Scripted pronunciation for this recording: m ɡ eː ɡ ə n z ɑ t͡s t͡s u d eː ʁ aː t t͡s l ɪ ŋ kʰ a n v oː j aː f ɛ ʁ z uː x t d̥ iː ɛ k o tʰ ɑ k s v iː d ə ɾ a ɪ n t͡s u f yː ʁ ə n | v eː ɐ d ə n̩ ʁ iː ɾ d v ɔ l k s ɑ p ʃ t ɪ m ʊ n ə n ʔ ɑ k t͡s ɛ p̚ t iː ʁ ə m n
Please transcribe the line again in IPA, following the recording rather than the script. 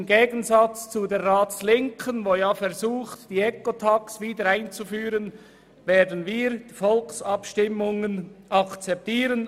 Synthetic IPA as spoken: m ɡ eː ɡ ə n z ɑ t͡s t͡s u d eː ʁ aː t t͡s l ɪ ŋ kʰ ə n v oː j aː f ɛ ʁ z uː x t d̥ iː ɛ k o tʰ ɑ k s v iː d ə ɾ a ɪ n t͡s u f yː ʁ ə n | v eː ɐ d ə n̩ v iː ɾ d f ɔ l k s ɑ p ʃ t ɪ m ʊ ŋ ə n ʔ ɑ k t͡s ɛ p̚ t iː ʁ ə n